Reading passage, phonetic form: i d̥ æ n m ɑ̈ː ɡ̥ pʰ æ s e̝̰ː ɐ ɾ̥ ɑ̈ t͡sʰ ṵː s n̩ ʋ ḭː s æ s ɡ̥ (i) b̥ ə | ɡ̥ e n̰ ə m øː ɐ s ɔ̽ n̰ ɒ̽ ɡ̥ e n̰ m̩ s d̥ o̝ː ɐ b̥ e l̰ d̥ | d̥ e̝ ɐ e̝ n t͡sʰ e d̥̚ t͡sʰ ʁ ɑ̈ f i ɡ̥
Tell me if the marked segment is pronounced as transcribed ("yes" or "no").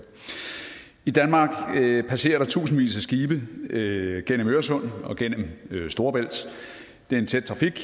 no